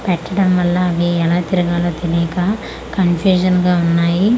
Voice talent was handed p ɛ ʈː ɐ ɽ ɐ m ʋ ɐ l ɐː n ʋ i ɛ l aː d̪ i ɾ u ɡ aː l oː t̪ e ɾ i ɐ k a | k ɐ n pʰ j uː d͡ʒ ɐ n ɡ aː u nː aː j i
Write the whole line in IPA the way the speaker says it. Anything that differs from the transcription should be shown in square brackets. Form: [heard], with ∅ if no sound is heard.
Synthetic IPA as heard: p ɛ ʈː ɐ ɽ ɐ m ʋ ɐ [lː] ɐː [∅] ʋ i ɛ l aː [t̪] i ɾ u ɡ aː l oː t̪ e [l] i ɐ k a | k ɐ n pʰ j uː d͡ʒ ɐ n ɡ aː u nː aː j i